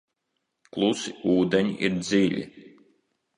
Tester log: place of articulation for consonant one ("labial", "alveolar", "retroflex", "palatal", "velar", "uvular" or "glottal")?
velar